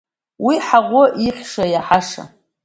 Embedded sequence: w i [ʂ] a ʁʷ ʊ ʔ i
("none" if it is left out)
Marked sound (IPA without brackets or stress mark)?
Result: ħ